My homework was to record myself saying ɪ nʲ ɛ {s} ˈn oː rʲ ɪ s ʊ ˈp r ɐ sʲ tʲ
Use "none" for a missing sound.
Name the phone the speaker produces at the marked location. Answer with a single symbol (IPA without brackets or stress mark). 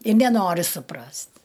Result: none